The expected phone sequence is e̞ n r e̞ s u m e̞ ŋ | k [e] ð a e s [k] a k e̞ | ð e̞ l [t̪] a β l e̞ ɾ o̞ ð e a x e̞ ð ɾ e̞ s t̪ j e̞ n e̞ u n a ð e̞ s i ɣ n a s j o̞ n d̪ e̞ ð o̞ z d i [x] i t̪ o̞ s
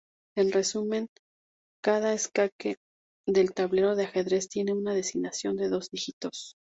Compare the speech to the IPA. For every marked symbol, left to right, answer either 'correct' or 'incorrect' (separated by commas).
incorrect, correct, correct, correct